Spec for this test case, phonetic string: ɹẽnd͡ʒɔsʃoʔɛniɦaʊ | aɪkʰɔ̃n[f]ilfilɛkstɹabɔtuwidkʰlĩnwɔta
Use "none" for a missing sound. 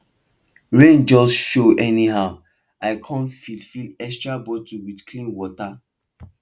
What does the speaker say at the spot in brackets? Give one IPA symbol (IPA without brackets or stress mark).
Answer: f